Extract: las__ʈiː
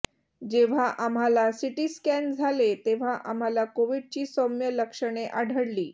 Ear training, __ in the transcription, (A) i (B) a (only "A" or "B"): A